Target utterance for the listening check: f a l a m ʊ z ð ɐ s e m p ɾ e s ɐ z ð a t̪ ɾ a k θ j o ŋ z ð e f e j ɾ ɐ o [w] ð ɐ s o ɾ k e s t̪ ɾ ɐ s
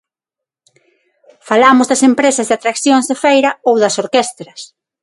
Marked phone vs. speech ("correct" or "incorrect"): correct